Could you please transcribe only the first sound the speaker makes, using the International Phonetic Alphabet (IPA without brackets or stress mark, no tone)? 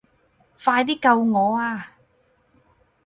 f